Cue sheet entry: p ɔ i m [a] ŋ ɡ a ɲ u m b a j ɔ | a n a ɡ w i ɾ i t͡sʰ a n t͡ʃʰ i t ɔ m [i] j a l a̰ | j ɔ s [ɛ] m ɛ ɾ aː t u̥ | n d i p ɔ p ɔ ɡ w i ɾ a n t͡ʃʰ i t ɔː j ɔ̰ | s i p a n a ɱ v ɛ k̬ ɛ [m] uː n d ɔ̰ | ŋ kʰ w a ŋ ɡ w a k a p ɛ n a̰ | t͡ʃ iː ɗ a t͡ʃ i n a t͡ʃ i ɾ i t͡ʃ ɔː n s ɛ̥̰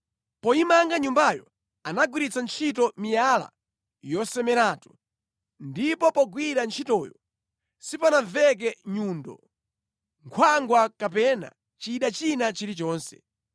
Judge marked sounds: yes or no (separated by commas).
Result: yes, yes, yes, no